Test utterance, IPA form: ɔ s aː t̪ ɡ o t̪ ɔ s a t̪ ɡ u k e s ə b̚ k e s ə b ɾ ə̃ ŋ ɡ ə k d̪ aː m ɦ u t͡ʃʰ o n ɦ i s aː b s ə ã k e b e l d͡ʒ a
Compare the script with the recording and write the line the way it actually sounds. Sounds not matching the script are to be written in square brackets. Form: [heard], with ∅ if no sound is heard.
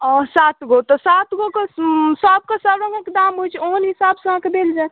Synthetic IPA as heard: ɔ s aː t̪ ɡ o t̪ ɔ s a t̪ ɡ [o] k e s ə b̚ k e s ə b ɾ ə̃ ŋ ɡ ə k d̪ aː m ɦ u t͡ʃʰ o n ɦ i s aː b s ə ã k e b e l d͡ʒ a